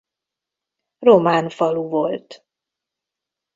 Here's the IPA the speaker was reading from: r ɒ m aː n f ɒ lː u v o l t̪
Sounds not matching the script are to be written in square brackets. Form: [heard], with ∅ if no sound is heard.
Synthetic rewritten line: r [o] m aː n f ɒ [l] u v o l t̪